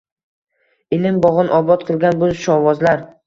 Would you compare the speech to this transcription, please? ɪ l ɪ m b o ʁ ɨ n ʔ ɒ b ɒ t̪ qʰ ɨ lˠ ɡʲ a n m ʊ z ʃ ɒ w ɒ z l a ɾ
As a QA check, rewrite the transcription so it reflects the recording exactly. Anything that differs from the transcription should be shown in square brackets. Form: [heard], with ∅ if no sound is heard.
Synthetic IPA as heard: ɪ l ɪ m b [ɒ] ʁ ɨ n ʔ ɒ b ɒ t̪ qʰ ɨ lˠ ɡʲ a n [b] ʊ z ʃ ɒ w ɒ z l a ɾ